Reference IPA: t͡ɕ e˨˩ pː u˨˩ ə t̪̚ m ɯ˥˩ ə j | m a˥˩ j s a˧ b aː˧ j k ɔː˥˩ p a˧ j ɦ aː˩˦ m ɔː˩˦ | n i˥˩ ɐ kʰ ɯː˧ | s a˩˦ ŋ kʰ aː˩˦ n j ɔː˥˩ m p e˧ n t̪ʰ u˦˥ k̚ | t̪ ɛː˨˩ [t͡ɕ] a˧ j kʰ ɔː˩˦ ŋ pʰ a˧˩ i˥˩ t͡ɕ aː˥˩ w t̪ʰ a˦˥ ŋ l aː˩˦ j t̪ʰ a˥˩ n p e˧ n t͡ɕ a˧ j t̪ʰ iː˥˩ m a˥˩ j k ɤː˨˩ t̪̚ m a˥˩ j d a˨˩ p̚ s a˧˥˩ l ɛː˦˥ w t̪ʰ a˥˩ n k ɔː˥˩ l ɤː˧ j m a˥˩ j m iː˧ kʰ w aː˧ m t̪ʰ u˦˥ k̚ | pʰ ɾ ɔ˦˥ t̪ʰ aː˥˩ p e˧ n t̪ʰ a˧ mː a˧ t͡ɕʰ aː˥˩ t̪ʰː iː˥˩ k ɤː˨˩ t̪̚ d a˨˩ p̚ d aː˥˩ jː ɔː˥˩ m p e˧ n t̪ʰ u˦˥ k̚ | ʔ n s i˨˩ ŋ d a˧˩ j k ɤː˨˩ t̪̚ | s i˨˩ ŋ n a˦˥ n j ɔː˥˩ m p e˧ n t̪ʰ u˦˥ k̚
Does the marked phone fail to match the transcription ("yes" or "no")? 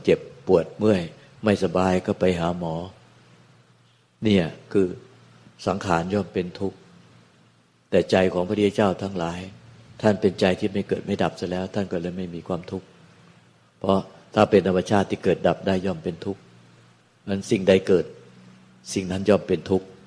no